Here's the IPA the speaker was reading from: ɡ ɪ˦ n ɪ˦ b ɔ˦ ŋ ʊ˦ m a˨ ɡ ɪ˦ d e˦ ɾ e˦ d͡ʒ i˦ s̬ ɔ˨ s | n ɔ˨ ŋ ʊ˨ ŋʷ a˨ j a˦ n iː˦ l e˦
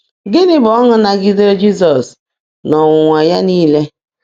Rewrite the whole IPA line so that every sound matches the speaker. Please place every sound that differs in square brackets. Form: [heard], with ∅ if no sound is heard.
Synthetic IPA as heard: ɡ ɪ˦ n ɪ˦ b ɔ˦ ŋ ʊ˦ [n] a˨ ɡ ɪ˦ d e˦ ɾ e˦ d͡ʒ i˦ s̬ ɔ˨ s | n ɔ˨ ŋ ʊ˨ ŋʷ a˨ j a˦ n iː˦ l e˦

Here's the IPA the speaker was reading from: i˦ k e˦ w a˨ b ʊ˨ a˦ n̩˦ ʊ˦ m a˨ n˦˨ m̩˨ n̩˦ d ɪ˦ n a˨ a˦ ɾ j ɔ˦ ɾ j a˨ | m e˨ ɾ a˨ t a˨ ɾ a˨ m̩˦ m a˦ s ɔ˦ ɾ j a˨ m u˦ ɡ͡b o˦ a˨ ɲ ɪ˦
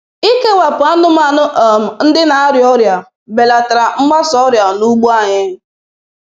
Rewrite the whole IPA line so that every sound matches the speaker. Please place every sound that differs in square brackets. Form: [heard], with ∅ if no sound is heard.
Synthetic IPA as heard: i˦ k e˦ w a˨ [p] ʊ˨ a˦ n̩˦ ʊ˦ m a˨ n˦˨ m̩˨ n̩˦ d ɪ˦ n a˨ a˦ ɾ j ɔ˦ ɾ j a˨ | [b] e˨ [l] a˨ t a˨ ɾ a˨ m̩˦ m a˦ s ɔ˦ ɾ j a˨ [n] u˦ ɡ͡b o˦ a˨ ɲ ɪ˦

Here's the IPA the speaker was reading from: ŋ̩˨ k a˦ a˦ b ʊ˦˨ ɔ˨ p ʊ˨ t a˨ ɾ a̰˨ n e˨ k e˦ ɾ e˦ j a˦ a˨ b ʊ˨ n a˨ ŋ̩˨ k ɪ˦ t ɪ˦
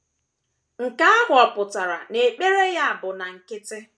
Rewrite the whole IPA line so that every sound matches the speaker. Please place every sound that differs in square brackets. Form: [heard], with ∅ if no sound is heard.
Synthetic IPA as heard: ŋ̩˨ k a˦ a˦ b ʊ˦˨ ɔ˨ p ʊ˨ t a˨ ɾ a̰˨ n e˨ [k͡p] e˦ ɾ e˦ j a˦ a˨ b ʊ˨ n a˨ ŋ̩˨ k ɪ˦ t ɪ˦

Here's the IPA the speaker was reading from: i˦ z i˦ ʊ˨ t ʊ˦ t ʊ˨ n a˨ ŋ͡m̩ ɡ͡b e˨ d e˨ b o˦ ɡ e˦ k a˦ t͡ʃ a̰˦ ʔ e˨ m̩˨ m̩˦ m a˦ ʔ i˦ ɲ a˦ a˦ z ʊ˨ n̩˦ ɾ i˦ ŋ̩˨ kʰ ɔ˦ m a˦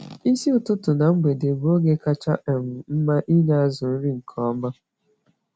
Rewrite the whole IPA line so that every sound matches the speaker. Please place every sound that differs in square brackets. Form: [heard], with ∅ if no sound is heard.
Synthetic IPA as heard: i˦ [s] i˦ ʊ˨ t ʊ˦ t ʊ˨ n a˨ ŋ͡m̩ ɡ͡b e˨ d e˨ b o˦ ɡ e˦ k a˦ t͡ʃ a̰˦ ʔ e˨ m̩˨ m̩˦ m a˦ ʔ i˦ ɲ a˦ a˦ z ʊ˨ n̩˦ ɾ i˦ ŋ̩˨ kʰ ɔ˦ m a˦

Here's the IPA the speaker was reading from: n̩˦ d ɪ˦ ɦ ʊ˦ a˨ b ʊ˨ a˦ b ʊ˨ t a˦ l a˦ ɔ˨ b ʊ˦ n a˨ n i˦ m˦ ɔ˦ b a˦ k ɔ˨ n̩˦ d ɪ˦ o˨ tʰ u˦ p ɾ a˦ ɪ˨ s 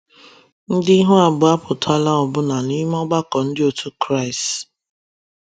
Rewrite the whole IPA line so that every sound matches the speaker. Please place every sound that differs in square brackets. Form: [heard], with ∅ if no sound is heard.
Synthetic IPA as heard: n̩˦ d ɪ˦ ɦ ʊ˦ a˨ b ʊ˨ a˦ [p] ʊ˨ t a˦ l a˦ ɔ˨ b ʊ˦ n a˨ n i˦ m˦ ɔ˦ [ɡ͡b] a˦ k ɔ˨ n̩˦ d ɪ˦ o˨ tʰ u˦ [k] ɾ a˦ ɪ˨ s

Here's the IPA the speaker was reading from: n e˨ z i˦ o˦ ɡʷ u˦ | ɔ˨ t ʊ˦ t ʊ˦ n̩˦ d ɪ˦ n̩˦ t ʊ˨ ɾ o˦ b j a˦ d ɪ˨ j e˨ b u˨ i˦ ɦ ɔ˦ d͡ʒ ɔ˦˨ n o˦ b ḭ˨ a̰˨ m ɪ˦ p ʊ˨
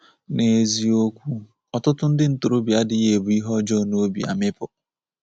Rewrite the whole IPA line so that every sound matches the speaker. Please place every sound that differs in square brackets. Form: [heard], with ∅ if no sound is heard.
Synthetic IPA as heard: n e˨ z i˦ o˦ [kʷ] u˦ | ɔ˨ t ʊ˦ t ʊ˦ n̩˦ d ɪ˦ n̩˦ t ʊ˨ ɾ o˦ b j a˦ d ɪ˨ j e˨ b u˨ i˦ ɦ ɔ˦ d͡ʒ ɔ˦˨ n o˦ b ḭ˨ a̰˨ m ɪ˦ p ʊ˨

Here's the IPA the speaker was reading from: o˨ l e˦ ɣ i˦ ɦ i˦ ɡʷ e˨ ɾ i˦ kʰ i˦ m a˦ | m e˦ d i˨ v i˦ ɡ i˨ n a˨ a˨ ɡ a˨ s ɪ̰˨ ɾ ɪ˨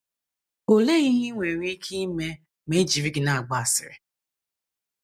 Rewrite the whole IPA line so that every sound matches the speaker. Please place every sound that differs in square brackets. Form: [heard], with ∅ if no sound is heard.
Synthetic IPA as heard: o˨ l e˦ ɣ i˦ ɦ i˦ [ŋʷ] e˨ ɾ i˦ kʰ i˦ m [e˦] | m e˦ [d͡ʒ] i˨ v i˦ ɡ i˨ n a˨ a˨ [ɡ͡b] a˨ s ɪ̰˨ ɾ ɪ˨

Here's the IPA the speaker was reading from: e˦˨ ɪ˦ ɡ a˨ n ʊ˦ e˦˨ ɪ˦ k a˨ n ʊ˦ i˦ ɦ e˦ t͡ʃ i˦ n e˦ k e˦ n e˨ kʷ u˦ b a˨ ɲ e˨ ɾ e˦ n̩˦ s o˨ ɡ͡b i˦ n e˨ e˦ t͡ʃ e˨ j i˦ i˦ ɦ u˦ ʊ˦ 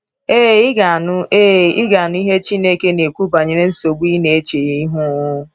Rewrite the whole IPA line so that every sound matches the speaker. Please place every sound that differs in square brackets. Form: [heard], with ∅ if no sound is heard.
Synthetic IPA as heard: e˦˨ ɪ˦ ɡ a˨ n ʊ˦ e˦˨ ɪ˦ [ɡ] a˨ n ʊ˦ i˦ ɦ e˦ t͡ʃ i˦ n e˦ k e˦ n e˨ kʷ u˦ b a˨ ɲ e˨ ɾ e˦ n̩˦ s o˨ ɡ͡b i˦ n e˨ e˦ t͡ʃ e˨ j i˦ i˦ ɦ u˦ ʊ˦

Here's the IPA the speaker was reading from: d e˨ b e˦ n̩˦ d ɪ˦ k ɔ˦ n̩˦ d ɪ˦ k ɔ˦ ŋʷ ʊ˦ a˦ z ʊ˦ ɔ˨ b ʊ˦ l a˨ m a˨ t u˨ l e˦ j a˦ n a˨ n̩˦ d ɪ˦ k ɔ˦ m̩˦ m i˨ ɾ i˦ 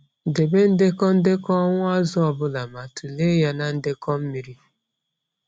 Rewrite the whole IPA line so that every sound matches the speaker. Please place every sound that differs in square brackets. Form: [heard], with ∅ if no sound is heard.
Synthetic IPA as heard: d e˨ b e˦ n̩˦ d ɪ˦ k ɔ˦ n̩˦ d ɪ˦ k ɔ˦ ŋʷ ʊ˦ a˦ z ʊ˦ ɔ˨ b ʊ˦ l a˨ m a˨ t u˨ l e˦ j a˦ n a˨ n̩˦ d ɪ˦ k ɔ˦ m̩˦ m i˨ ɾ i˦

